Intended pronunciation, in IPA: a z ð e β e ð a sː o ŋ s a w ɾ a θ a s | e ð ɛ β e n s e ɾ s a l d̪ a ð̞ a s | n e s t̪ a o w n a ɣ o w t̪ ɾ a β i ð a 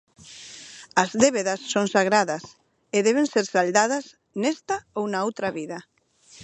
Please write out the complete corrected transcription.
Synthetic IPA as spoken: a z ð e β e ð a sː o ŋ s a ɣ ɾ a ð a s | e ð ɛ β e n s e ɾ s a l d̪ a ð̞ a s | n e s t̪ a o w n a o w t̪ ɾ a β i ð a